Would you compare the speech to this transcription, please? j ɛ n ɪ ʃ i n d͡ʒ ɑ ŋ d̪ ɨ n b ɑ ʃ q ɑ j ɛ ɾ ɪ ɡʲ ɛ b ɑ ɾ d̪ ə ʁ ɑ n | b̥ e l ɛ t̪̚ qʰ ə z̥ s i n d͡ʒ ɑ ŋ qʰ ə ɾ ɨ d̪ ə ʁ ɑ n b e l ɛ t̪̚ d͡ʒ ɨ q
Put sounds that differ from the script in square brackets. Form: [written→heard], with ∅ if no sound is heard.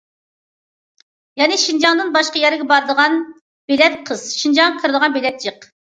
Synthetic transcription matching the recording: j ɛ n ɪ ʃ i n d͡ʒ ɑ ŋ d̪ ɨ n b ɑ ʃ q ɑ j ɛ ɾ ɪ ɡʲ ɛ b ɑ ɾ d̪ ə ʁ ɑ n | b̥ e l ɛ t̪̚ qʰ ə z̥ [s→ʃ] i n d͡ʒ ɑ ŋ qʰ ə ɾ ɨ d̪ ə ʁ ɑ n b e l ɛ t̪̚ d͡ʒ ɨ q